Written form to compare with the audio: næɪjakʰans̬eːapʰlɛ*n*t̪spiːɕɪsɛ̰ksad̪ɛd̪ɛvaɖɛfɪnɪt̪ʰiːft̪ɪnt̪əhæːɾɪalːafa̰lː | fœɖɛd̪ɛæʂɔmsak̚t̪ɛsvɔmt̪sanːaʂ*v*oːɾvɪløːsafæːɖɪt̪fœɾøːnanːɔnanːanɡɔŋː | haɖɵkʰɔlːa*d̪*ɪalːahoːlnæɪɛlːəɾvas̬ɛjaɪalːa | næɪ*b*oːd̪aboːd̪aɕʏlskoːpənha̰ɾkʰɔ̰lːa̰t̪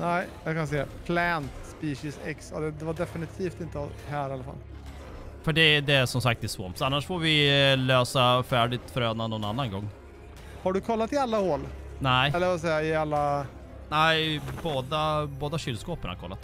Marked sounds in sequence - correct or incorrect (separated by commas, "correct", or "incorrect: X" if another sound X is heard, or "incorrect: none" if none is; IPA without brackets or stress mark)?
correct, incorrect: f, incorrect: t̪, correct